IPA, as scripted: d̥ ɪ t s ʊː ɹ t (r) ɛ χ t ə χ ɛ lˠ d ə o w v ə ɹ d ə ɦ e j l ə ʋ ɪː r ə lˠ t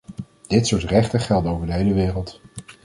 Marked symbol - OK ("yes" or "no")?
yes